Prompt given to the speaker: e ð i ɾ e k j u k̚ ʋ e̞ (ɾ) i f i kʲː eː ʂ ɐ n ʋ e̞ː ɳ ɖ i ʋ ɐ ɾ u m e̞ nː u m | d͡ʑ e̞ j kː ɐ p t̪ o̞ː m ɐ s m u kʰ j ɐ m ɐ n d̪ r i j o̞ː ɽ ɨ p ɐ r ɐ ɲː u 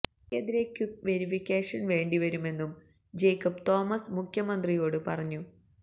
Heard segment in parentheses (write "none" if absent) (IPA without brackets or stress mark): ɾ